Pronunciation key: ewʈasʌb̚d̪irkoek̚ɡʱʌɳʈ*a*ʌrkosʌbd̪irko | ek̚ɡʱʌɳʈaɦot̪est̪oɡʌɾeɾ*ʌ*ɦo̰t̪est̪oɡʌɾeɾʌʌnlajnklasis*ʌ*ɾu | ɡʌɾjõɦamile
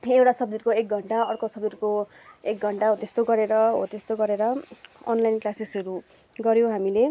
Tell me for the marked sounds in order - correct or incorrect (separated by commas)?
correct, correct, correct